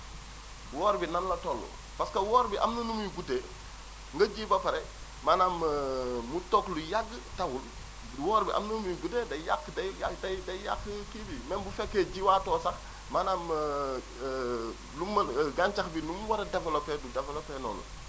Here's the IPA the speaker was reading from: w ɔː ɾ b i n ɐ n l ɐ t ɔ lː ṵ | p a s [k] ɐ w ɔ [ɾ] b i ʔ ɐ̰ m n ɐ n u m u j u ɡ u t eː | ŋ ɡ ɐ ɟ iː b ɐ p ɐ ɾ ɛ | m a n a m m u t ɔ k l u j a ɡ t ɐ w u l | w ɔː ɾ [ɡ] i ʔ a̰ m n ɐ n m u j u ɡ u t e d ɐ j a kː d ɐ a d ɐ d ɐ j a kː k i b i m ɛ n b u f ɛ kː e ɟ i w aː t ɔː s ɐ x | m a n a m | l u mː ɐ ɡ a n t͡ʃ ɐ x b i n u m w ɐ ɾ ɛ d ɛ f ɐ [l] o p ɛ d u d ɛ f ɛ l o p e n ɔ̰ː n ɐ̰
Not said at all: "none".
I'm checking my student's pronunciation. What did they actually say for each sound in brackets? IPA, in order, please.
k, ɾ, b, l

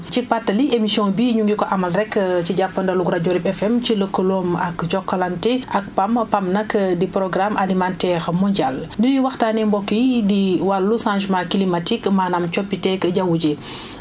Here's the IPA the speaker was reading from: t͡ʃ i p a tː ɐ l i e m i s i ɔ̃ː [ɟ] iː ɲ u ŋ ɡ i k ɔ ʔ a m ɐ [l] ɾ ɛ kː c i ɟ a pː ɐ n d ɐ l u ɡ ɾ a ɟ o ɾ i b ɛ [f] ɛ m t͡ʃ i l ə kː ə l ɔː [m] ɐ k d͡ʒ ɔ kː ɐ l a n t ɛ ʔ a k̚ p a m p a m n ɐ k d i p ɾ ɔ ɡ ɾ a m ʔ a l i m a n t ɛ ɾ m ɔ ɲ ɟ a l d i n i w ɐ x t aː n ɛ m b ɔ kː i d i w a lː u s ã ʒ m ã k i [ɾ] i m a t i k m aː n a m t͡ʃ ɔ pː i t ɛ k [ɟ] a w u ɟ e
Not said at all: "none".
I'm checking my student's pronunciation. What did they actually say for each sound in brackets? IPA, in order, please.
b, l, f, m, l, ɟ

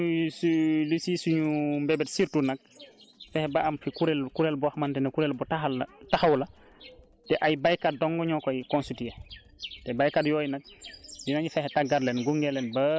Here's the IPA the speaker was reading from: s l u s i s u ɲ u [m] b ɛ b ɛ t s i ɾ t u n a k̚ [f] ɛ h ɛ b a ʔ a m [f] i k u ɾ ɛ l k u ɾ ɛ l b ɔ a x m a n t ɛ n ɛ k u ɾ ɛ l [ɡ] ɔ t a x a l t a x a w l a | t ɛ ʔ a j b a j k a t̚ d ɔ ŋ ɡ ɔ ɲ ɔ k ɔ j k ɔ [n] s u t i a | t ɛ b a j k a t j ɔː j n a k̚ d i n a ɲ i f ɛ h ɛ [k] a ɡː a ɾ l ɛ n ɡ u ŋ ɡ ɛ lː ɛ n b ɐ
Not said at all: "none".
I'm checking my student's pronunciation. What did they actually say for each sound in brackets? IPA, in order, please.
m, f, f, b, n, t

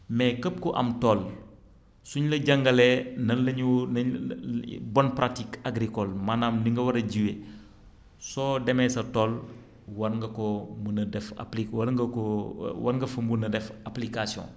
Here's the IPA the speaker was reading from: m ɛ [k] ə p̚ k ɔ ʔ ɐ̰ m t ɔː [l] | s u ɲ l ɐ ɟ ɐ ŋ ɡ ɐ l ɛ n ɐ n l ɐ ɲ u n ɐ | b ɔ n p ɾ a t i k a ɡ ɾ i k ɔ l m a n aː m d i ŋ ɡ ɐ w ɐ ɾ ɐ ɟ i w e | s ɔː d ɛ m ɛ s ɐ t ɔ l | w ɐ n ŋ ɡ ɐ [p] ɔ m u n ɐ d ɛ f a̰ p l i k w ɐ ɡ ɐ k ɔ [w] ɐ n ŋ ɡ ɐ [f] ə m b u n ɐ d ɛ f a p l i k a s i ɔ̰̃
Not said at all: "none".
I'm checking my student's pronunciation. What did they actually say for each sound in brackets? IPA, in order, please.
k, l, k, w, f

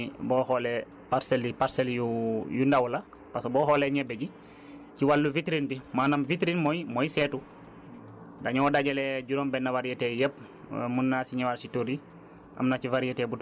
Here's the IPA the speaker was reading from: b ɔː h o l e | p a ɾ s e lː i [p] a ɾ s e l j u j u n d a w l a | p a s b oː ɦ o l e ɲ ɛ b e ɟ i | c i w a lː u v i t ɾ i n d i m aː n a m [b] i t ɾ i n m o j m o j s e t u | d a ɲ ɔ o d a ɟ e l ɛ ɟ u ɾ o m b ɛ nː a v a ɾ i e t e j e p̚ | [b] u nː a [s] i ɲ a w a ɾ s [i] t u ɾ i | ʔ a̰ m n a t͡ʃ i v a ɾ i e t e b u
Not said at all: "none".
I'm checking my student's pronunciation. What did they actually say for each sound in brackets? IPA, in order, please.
p, v, m, s, i

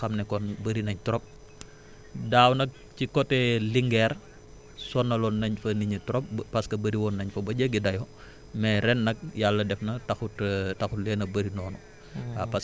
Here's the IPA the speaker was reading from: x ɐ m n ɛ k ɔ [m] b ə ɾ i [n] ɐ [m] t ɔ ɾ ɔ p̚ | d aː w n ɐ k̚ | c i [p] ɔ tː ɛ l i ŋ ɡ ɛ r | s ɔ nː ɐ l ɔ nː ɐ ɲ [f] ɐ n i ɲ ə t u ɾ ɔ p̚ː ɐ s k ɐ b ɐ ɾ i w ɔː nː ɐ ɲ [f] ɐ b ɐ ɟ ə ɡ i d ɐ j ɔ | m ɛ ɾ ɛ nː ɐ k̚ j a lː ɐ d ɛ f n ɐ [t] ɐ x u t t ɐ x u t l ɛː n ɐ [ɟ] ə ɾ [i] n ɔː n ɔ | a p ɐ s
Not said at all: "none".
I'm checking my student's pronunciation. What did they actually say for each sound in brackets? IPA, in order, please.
n, n, ɲ, k, f, f, t, b, i

